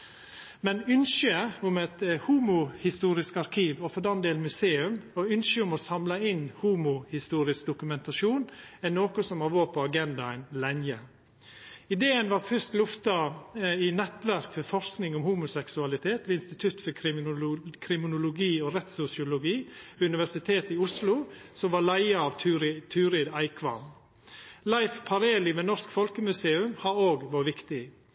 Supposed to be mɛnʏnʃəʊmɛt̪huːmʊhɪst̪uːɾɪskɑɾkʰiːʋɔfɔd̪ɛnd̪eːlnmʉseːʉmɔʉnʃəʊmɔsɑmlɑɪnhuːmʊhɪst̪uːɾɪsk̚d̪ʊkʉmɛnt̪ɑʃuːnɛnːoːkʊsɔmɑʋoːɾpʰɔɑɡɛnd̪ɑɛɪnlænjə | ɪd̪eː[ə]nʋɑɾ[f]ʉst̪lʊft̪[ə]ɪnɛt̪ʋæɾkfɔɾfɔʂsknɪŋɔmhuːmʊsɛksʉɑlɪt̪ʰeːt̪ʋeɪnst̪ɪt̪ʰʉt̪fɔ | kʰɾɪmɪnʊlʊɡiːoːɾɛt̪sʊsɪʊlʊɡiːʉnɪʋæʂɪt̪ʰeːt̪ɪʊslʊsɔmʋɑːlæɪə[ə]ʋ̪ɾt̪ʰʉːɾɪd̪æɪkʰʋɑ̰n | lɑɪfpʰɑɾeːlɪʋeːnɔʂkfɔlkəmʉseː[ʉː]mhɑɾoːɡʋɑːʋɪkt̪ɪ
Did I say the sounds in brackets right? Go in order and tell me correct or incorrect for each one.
correct, correct, incorrect: ɑ, incorrect: ɑ, incorrect: ʉ

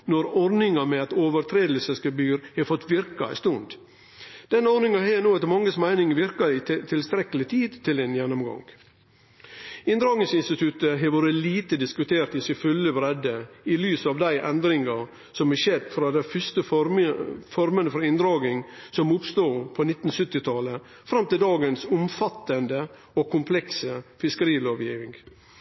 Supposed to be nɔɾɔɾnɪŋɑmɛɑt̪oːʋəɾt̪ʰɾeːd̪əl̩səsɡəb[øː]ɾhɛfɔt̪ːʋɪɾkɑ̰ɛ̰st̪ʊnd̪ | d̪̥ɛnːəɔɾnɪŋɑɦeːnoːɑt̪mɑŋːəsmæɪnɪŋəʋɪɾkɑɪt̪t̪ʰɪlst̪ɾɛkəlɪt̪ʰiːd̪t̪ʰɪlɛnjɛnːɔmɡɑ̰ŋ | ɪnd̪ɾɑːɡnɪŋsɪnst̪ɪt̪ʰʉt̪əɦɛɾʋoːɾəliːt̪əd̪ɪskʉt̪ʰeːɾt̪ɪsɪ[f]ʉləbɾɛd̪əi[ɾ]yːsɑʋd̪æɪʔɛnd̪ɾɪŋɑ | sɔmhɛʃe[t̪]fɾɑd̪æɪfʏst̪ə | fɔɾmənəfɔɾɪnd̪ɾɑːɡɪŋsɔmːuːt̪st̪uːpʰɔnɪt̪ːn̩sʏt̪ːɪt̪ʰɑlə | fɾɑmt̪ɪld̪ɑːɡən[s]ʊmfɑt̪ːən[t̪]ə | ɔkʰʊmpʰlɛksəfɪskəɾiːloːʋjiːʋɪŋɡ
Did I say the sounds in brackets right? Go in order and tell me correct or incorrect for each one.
incorrect: yː, correct, incorrect: l, incorrect: d̪, correct, incorrect: d̪

